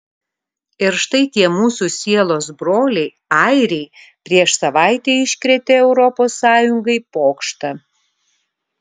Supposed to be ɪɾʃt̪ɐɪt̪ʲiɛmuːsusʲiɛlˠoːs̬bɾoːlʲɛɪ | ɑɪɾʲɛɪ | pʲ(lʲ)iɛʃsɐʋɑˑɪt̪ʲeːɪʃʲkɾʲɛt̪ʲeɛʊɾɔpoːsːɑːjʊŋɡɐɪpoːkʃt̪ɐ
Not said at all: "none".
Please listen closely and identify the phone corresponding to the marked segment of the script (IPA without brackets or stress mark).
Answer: ɾʲ